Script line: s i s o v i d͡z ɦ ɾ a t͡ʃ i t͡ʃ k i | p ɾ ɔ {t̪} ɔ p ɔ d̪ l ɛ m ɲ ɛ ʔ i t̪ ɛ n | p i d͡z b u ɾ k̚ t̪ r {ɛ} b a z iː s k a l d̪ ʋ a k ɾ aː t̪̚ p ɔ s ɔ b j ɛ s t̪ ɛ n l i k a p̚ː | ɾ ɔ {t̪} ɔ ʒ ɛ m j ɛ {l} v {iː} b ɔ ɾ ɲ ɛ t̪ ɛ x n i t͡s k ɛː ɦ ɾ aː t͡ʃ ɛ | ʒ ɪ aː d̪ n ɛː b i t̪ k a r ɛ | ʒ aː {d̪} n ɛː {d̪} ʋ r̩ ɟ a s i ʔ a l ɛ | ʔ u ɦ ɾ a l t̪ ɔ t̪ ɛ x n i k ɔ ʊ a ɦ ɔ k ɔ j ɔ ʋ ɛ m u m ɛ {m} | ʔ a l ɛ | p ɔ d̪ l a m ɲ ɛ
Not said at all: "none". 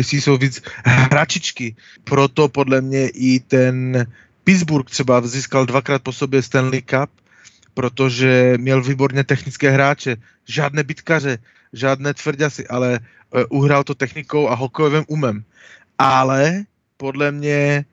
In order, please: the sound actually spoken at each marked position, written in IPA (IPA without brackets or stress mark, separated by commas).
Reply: t̪, ɛ, t̪, l, iː, d̪, t̪, m